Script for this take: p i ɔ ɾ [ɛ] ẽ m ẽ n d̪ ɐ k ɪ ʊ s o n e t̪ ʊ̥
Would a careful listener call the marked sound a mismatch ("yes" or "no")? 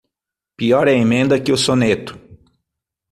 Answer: no